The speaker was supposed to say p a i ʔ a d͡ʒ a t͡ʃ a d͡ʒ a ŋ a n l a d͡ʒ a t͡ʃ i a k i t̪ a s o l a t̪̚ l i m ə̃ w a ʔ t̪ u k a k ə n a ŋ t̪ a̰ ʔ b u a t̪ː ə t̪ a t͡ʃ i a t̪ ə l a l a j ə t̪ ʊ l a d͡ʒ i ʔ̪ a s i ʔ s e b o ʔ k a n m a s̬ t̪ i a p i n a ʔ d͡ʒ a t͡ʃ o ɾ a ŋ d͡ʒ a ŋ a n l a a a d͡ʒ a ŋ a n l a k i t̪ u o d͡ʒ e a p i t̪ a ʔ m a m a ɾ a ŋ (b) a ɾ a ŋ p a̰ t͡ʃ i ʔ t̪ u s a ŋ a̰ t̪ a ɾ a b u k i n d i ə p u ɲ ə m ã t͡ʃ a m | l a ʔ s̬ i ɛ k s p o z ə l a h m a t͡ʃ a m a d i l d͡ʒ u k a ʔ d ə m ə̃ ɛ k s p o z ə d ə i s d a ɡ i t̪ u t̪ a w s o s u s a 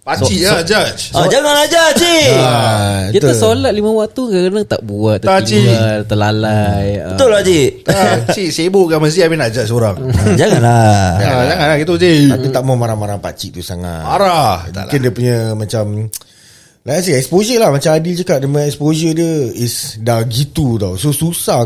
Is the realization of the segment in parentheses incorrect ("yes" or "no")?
yes